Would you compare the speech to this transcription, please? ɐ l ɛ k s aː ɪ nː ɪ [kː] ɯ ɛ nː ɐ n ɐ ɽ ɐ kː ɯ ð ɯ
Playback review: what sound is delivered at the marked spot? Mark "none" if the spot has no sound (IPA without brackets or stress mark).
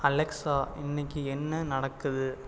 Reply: kː